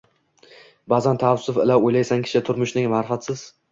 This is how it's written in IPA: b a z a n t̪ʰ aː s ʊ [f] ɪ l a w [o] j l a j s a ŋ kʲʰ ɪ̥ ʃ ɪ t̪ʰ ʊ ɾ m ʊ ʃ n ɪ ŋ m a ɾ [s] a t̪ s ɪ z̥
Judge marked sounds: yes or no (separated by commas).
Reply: yes, yes, no